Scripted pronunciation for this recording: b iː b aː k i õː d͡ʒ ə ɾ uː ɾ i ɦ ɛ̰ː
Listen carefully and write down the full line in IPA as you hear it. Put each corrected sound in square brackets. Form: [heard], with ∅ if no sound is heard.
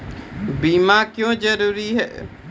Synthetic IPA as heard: b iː [m] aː k [j] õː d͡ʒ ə ɾ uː ɾ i ɦ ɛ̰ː

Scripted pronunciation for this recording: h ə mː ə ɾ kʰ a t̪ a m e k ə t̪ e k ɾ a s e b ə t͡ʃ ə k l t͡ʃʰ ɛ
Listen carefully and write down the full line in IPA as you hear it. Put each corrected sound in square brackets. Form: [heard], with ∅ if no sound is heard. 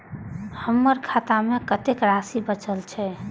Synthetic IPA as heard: h ə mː ə ɾ kʰ a t̪ a m e k ə t̪ e k ɾ a s [i] b ə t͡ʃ ə [∅] l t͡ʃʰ ɛ

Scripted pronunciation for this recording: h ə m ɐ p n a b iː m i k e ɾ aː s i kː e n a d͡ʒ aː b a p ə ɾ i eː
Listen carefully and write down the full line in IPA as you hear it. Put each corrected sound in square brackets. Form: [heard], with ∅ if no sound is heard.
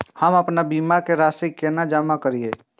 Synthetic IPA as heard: h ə m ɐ p n a b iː m [a] k e ɾ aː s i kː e n a d͡ʒ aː [m] a [k] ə ɾ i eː

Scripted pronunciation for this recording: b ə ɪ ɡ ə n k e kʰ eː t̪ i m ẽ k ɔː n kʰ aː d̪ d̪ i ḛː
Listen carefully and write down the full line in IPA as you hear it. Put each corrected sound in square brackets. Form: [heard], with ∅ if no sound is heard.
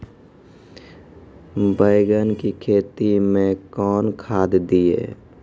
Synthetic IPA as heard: b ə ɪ ɡ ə n k [i] kʰ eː t̪ i m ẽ k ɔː n kʰ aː d̪ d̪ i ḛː

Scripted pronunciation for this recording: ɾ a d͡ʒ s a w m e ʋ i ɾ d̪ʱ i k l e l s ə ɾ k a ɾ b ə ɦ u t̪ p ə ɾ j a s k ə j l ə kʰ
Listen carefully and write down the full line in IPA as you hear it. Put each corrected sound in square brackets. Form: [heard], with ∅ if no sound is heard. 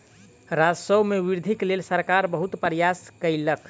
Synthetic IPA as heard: ɾ a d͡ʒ s [ə] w m e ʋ i ɾ d̪ʱ i k l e l s ə ɾ k a ɾ b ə ɦ u t̪ p ə ɾ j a s k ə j l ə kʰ

